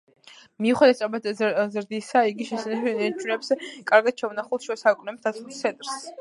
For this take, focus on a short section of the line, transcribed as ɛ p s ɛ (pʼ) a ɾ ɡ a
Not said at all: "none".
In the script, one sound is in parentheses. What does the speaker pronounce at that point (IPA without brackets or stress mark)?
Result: kʼ